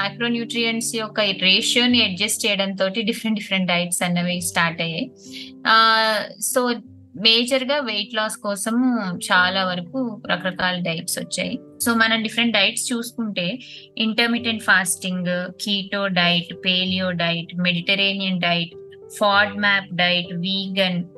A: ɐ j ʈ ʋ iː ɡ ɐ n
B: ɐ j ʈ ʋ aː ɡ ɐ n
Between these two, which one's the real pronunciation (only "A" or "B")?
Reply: A